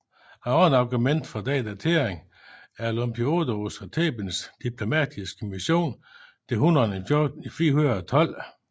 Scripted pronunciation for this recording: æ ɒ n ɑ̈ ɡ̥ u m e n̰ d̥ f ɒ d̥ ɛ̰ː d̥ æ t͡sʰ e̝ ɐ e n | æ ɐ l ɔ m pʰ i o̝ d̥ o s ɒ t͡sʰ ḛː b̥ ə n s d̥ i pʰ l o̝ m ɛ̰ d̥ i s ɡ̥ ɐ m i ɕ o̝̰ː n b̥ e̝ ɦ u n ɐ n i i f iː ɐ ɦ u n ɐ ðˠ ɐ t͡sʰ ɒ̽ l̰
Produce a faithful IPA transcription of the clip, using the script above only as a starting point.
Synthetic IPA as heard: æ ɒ n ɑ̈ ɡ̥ u m e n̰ d̥ f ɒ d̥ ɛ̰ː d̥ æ t͡sʰ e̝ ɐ e ŋ | æ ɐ l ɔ m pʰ i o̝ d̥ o s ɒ t͡sʰ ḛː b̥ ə n s d̥ i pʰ l o̝ m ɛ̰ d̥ i s ɡ̥ ə m i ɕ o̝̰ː n d̥ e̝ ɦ u n ɐ n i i f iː ɐ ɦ u n ɐ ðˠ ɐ t͡sʰ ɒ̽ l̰